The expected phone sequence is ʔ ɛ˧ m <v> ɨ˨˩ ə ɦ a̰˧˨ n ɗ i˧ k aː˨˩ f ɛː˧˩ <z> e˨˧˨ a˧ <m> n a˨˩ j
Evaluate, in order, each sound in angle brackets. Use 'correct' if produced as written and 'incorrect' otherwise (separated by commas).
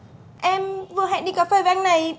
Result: correct, incorrect, incorrect